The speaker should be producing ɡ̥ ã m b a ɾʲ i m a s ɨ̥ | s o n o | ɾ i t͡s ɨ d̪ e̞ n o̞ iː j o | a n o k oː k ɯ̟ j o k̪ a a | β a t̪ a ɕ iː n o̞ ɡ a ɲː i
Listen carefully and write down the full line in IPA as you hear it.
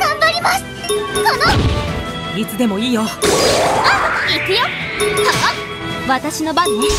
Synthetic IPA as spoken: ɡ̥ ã m b a ɾʲ i m a s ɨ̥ | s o n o | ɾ i t͡s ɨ d̪ e̞ m o̞ iː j o | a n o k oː k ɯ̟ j o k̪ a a | β a t̪ a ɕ i n o̞ b a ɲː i

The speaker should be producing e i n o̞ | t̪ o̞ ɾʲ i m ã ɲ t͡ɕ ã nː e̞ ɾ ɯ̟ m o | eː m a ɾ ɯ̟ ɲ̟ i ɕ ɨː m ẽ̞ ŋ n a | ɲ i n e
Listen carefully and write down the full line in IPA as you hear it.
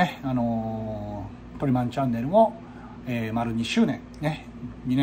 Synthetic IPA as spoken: e a n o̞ | t̪ o̞ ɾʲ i m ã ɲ t͡ɕ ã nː e̞ ɾ ɯ̟ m o | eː m a ɾ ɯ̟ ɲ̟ i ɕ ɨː n ẽ̞ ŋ n e | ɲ i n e

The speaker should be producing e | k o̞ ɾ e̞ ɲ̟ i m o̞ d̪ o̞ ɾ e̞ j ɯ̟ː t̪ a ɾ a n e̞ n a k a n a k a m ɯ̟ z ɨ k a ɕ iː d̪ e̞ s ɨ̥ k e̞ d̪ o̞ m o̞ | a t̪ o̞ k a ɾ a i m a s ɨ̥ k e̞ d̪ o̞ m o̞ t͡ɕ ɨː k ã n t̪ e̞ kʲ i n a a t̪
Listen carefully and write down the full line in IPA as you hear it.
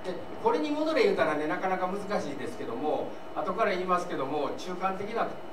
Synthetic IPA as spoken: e | k o̞ ɾ e̞ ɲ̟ i m o̞ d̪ o̞ ɾ e̞ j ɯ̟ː t̪ a ɾ a n e̞ n a k a n a k a m ɯ̟ z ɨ k a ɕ iː d̪ e̞ s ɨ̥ k e̞ d̪ o̞ m o̞ | a t̪ o̞ k a ɾ a iː m a s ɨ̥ k e̞ d̪ o̞ m o̞ t͡ɕ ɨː k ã n t̪ e̞ kʲ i n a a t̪

